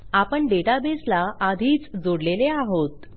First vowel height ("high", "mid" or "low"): low